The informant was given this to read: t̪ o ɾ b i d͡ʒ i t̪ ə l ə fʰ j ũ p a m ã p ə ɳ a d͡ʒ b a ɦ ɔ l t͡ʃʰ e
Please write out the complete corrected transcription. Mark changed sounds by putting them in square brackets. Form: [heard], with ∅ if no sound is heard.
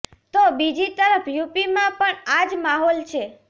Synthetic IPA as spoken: t̪ o [∅] b i d͡ʒ i t̪ ə [ɾ] ə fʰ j [u] p [i] m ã p ə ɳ a d͡ʒ [m] a ɦ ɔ l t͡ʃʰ e